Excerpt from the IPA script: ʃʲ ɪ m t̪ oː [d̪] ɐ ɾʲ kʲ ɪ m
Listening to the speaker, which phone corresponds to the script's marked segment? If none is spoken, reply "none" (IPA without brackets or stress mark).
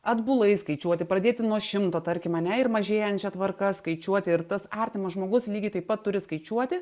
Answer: t̪